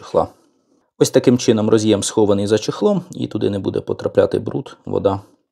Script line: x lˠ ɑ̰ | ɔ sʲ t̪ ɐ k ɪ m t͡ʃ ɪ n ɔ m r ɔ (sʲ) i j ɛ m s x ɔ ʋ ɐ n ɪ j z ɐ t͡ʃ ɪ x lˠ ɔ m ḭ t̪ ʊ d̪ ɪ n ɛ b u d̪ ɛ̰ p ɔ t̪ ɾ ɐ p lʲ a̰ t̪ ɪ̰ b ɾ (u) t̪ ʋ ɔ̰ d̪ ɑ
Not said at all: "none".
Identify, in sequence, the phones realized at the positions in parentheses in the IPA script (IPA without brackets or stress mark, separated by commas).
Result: zʲ, u